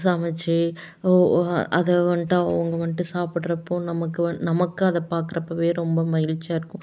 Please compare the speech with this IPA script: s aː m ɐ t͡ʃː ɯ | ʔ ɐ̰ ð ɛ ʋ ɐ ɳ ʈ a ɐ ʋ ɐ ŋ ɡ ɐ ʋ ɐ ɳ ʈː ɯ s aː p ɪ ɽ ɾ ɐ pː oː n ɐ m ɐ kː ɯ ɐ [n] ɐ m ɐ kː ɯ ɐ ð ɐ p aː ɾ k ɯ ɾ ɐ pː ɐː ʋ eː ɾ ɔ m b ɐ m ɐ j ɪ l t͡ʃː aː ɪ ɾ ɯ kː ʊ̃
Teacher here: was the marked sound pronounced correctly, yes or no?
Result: yes